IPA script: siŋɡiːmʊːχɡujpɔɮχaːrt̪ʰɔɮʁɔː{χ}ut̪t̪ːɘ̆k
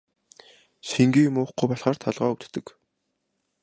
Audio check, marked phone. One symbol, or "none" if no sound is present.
none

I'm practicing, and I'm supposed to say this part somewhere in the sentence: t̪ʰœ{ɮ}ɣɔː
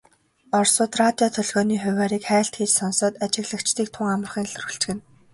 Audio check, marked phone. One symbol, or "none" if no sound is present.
ɮ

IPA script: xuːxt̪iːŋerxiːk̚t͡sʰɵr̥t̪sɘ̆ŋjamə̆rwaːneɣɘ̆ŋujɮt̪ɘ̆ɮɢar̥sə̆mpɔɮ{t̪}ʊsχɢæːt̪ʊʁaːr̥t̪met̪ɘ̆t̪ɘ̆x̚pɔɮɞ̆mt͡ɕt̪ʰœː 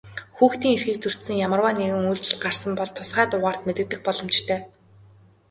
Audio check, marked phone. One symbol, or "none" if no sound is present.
t̪ʰ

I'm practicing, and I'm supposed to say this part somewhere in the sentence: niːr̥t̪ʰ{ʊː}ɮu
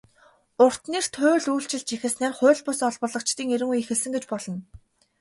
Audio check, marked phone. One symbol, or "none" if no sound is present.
ʊː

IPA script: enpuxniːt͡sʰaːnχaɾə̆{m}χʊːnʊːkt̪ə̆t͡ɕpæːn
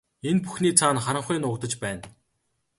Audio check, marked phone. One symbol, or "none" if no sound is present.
ɴ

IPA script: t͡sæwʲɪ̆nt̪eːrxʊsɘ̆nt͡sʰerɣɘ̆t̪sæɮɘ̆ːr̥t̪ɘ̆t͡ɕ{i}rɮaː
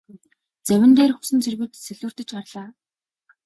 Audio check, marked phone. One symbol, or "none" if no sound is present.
a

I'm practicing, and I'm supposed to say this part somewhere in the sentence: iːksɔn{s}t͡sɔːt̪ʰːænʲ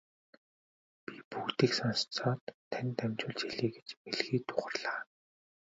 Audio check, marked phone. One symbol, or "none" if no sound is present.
s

